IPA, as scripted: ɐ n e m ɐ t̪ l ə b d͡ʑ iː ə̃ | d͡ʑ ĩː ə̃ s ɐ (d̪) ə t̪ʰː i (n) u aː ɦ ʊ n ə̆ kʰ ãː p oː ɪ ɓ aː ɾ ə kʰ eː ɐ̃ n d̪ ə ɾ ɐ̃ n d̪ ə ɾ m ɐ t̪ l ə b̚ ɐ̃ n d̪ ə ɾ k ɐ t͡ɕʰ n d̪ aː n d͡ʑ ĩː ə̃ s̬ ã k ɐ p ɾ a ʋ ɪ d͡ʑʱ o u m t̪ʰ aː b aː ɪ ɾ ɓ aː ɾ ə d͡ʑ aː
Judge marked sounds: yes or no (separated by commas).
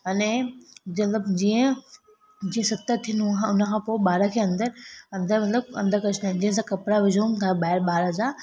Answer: no, yes